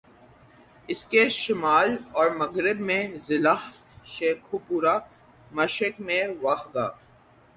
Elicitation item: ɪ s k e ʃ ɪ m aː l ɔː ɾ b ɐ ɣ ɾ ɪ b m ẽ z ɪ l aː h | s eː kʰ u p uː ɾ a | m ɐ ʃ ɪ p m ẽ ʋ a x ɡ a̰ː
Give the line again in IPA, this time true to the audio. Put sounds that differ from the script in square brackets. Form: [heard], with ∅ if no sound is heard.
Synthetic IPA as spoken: ɪ s k e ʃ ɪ m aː l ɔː ɾ [m] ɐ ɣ ɾ ɪ b m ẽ z ɪ l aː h | [ʃ] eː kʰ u p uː ɾ a | m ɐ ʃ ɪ [k] m ẽ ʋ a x ɡ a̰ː